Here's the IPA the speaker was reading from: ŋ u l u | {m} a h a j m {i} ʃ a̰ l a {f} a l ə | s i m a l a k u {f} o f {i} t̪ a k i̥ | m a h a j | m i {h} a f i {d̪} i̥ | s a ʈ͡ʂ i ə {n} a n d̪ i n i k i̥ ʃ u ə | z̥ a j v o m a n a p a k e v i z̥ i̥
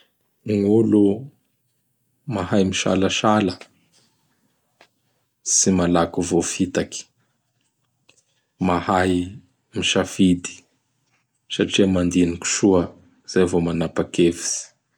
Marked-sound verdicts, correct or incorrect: correct, correct, incorrect: ʃ, incorrect: v, correct, incorrect: ʃ, correct, incorrect: m

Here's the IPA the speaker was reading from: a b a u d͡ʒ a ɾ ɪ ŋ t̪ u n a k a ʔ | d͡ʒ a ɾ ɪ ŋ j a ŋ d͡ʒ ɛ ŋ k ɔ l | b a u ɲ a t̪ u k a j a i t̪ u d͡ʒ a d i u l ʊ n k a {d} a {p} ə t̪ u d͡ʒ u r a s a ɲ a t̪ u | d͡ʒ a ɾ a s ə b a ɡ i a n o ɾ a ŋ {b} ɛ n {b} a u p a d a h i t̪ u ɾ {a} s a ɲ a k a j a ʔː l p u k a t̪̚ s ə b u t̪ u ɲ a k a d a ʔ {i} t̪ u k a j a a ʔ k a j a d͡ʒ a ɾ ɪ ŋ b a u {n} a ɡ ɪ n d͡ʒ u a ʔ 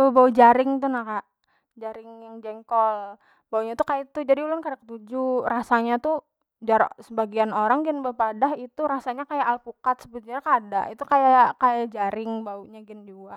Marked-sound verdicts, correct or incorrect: correct, incorrect: k, incorrect: ɡ, correct, correct, correct, incorrect: ɲ

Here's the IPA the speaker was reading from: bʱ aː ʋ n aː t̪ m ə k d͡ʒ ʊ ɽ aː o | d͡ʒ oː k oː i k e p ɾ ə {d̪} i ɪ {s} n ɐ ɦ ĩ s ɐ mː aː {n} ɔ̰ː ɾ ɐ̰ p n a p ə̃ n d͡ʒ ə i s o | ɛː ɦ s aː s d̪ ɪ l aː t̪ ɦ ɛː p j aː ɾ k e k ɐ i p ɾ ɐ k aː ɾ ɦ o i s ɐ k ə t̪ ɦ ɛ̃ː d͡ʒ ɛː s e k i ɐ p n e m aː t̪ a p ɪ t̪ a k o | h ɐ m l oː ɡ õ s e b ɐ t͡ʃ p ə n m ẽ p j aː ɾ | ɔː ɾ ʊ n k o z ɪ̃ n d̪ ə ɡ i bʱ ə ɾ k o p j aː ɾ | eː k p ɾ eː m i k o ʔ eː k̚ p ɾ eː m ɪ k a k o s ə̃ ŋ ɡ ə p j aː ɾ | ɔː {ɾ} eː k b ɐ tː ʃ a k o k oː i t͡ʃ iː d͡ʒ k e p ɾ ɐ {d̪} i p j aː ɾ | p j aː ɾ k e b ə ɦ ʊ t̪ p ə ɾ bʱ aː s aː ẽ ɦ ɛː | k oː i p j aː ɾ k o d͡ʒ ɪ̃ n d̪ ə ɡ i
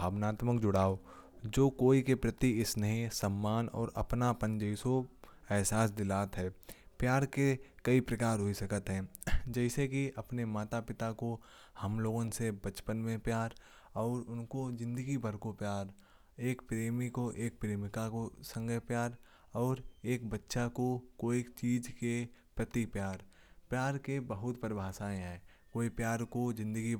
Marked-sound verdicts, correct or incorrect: incorrect: t̪, correct, correct, correct, incorrect: t̪

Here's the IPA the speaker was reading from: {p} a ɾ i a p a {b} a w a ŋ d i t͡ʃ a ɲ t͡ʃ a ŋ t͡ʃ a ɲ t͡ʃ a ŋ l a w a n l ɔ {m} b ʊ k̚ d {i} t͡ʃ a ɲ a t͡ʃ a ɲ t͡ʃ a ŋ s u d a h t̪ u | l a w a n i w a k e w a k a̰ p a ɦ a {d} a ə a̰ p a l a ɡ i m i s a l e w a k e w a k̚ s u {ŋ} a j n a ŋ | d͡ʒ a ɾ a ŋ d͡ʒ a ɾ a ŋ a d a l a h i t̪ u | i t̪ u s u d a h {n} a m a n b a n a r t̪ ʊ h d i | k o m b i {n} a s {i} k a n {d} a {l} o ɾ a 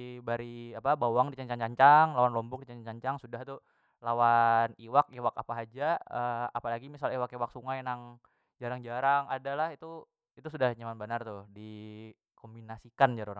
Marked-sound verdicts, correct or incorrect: incorrect: b, correct, correct, correct, incorrect: d͡ʒ, correct, incorrect: ɲ, correct, correct, incorrect: d͡ʒ, incorrect: ɾ

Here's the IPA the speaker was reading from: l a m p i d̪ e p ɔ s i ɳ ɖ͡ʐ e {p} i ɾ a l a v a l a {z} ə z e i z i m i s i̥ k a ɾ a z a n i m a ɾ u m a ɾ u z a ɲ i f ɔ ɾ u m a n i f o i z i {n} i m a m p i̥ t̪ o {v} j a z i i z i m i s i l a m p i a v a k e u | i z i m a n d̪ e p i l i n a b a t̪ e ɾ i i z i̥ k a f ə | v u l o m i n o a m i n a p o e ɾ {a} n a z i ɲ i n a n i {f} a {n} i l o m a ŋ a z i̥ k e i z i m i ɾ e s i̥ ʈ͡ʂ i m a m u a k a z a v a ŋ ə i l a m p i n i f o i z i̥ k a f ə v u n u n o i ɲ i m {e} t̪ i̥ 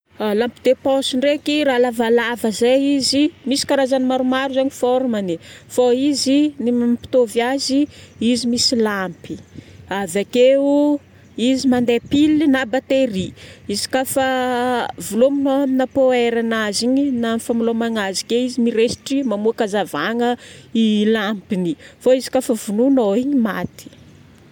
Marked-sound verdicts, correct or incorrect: incorrect: k, incorrect: v, correct, correct, correct, correct, incorrect: m, incorrect: a

